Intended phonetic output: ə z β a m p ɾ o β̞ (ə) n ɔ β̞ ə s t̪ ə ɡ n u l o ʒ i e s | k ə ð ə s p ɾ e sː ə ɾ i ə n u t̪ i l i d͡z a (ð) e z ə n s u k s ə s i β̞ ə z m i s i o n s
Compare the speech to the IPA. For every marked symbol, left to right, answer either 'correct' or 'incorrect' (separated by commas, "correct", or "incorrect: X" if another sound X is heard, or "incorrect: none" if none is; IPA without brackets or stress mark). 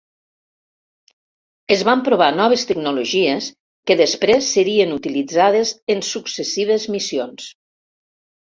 incorrect: a, correct